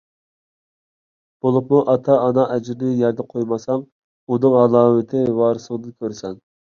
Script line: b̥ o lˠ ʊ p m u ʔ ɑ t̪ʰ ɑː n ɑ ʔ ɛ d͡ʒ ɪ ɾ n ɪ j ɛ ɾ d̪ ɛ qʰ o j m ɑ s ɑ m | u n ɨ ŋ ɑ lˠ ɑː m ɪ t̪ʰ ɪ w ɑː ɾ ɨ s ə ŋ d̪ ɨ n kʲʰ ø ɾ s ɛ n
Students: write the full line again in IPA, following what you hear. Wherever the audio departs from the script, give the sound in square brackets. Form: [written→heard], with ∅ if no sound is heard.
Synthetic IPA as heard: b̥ o lˠ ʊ p m u ʔ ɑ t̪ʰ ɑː n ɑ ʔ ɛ d͡ʒ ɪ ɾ n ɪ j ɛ ɾ d̪ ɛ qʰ o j m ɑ s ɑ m | u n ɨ ŋ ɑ lˠ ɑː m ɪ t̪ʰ ɪ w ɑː ɾ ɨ s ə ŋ d̪ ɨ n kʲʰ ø ɾ s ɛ n